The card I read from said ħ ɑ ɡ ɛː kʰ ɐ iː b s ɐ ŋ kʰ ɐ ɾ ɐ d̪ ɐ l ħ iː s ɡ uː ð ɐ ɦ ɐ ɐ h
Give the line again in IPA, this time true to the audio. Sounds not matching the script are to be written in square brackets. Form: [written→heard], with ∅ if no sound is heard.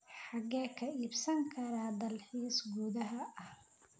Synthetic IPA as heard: ħ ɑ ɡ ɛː kʰ ɐ iː b s ɐ ŋ kʰ ɐ ɾ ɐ d̪ ɐ l ħ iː s ɡ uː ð ɐ ɦ ɐ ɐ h